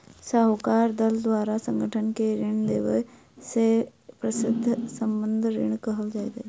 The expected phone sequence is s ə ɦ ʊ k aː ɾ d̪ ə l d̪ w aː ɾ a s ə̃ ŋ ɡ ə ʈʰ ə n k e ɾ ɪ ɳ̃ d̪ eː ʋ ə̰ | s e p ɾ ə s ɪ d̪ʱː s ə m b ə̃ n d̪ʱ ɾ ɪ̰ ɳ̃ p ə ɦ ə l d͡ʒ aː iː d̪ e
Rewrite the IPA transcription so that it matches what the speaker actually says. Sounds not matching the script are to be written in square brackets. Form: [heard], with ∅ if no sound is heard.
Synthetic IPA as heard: s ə ɦ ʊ k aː ɾ d̪ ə l d̪ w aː ɾ a s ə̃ ŋ ɡ ə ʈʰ ə n k e ɾ ɪ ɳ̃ d̪ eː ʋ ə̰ | s e p ɾ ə s ɪ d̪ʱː s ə m b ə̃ n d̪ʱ ɾ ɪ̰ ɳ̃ [k] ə ɦ ə l d͡ʒ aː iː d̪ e